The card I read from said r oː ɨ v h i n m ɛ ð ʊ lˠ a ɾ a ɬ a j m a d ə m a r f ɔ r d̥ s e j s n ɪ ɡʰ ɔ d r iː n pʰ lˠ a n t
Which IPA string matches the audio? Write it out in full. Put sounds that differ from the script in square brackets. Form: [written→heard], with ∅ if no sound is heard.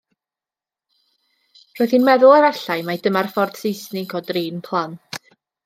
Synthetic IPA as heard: r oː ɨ [v→ð] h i n m ɛ ð ʊ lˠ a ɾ a ɬ a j m a d ə m a r f ɔ r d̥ s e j s n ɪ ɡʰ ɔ d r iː n pʰ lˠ a n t